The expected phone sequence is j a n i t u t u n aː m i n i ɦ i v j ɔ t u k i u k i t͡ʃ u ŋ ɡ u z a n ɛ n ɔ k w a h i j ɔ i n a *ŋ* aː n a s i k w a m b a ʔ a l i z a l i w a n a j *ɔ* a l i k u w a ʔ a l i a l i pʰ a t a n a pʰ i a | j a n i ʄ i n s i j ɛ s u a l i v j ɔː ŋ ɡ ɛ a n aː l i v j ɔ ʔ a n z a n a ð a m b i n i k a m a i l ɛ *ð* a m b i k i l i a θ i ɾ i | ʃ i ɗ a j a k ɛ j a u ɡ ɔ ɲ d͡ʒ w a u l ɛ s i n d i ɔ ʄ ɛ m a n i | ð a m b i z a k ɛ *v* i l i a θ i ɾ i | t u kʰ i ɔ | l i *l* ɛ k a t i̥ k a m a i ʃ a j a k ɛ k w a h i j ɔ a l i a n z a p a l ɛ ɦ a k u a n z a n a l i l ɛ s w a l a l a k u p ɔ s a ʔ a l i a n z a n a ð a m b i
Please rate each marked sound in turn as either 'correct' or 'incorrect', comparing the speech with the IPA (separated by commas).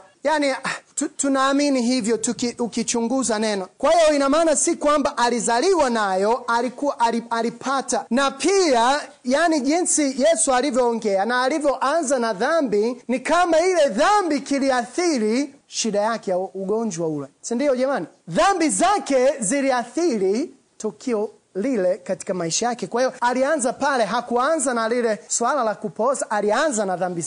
incorrect, correct, correct, incorrect, correct